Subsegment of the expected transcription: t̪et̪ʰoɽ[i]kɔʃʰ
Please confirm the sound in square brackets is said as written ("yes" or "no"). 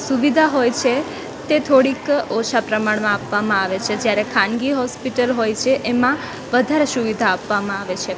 yes